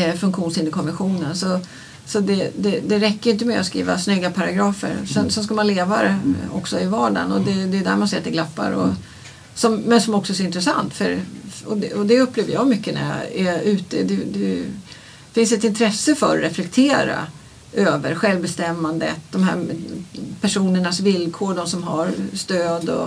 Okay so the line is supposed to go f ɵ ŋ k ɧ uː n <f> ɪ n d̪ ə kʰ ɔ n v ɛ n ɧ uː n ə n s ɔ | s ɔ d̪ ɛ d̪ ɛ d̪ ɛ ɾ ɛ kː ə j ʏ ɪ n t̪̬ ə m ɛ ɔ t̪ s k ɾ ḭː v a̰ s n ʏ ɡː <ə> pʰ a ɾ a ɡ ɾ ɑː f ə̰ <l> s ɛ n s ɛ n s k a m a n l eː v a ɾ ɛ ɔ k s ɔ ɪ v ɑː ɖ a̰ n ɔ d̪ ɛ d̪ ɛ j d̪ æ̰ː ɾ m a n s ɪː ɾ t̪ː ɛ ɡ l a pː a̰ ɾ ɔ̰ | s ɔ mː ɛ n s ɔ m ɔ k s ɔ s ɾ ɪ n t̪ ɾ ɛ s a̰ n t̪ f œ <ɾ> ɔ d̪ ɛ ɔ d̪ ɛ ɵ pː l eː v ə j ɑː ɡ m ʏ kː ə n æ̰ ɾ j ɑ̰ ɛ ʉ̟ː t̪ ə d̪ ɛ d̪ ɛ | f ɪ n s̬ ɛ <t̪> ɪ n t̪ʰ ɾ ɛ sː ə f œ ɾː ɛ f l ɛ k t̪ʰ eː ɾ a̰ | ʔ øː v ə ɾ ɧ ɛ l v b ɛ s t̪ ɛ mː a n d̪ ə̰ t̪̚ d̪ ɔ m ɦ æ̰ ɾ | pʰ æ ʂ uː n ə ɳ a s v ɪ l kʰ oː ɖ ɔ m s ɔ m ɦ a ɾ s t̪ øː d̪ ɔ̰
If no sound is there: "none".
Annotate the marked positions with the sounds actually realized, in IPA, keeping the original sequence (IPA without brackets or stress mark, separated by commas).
s, a, ɾ, ɾ, t̪